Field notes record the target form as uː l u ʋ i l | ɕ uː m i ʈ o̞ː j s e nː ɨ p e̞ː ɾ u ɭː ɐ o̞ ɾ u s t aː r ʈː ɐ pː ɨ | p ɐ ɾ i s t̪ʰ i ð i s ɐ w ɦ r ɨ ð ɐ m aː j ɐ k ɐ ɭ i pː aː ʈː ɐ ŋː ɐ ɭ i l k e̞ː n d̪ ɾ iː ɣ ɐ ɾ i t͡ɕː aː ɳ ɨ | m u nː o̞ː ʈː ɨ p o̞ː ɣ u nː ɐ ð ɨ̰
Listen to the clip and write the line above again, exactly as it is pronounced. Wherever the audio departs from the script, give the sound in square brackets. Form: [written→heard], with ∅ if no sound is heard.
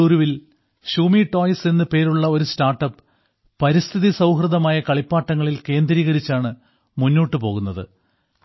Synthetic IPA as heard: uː [l→ɾ] u ʋ i l | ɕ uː m i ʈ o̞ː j s e nː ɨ p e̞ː ɾ u ɭː ɐ o̞ ɾ u s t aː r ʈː ɐ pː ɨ | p ɐ ɾ i s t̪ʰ i ð i s ɐ w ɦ r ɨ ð ɐ m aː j ɐ k ɐ ɭ i pː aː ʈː ɐ ŋː ɐ ɭ i l k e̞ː n d̪ ɾ iː ɣ ɐ ɾ i t͡ɕː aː ɳ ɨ | m u nː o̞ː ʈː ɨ p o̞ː ɣ u nː ɐ ð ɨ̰

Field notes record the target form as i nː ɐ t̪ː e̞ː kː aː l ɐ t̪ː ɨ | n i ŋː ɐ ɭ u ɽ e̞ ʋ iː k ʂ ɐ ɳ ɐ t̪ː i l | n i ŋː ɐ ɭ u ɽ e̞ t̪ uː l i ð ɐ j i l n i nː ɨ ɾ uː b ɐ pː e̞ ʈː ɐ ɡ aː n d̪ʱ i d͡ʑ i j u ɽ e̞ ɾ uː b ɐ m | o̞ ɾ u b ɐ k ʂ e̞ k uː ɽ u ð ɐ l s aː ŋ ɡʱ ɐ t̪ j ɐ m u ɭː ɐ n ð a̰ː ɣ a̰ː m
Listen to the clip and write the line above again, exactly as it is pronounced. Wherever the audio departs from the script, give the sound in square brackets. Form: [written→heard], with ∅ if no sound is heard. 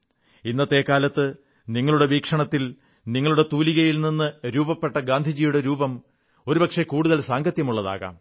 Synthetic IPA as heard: i nː ɐ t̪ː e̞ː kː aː l ɐ t̪ː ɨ | n i ŋː ɐ ɭ u ɽ e̞ ʋ iː k ʂ ɐ ɳ ɐ t̪ː i l | n i ŋː ɐ ɭ u ɽ e̞ t̪ uː l i [ð→ɣ] ɐ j i l n i nː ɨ ɾ uː b ɐ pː e̞ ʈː ɐ ɡ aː n d̪ʱ i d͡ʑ i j u ɽ e̞ ɾ uː b ɐ m | o̞ ɾ u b ɐ k ʂ e̞ k uː ɽ u ð ɐ l s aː ŋ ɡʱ ɐ t̪ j ɐ m u ɭː ɐ [n→∅] ð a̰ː ɣ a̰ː m

